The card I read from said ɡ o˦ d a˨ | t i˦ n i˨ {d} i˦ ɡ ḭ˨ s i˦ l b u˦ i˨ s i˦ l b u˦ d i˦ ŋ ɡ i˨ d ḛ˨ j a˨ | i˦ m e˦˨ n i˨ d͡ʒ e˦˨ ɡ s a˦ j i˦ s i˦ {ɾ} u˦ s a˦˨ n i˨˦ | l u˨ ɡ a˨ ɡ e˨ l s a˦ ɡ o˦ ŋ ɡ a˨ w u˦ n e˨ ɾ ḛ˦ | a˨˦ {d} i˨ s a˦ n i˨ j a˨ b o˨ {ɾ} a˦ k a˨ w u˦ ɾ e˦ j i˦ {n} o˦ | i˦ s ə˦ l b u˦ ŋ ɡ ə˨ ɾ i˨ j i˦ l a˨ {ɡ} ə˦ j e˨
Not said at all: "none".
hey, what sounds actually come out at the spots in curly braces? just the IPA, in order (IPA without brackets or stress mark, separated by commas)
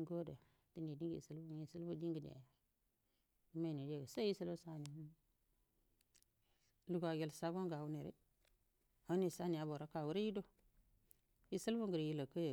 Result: d, l, n, ɾ, d, k